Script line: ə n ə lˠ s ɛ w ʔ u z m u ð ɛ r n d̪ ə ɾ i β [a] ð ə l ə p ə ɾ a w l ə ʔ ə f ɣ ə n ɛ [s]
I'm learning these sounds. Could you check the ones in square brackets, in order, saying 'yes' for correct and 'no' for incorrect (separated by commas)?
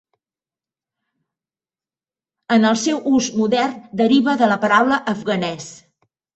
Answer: no, yes